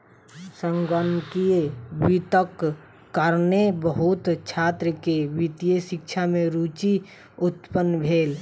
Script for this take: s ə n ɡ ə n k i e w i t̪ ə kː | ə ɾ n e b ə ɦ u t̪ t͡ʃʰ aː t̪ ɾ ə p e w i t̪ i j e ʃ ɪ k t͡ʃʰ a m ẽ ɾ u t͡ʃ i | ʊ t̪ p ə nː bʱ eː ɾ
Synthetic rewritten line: s ə ŋ ɡ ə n k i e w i t̪ ə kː | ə ɾ n e b ə ɦ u t̪ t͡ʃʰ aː t̪ ɾ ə k e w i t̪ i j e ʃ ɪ k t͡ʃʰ a m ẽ ɾ u t͡ʃ i | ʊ t̪ p ə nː bʱ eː l